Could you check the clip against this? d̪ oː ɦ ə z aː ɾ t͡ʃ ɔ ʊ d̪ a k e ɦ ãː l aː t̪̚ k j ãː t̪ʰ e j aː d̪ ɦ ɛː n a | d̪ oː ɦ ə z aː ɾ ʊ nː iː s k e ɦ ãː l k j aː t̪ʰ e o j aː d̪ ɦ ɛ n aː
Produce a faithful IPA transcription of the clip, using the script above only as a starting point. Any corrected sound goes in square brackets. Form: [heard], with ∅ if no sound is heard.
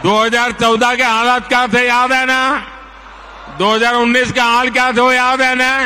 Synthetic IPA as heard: d̪ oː ɦ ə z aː ɾ t͡ʃ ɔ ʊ d̪ a k e ɦ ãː l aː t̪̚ k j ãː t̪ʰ e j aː d̪ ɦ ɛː n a | d̪ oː ɦ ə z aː ɾ ʊ nː iː s k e ɦ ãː l k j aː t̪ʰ e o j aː d̪ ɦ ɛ n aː